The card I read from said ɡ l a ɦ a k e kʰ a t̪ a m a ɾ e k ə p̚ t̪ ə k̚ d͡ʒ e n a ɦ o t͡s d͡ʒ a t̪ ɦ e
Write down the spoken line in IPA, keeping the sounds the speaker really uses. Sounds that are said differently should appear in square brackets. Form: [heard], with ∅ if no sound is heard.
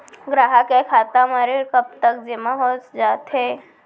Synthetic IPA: ɡ [ɾ] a ɦ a k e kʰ a t̪ a m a ɾ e k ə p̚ t̪ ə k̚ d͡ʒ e [m] a ɦ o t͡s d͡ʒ a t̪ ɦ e